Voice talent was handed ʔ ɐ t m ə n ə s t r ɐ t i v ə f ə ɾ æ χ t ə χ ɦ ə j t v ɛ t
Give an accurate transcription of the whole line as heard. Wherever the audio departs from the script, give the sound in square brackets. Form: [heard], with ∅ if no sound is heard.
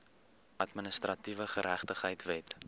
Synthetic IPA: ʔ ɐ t m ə n ə s t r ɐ t i v ə [χ] ə ɾ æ χ t ə χ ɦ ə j t v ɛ t